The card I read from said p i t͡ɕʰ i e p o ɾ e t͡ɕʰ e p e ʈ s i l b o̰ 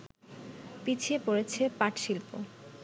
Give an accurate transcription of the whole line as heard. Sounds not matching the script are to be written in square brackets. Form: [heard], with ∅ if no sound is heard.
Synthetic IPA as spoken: p i t͡ɕʰ i e p o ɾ e t͡ɕʰ e p [a] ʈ [ʃ] i l [p] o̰